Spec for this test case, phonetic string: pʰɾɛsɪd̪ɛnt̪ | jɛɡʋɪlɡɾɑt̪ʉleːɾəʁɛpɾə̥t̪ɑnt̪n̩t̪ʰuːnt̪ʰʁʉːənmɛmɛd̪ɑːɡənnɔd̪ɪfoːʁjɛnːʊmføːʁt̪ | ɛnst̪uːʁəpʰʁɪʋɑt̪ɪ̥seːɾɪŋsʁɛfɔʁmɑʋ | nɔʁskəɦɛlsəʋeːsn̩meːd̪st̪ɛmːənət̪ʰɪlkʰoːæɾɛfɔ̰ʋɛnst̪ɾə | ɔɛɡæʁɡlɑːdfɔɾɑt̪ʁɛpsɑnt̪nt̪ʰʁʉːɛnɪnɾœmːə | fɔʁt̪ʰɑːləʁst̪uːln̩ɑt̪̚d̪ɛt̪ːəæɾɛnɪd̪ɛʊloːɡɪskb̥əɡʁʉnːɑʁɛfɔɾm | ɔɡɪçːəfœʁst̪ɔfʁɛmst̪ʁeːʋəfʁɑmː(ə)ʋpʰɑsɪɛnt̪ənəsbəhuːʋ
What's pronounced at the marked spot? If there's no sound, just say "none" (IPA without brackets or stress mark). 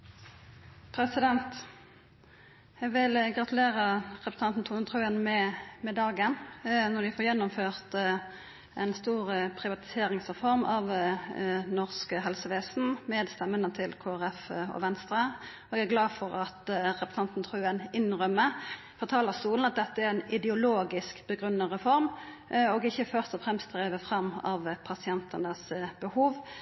ɑ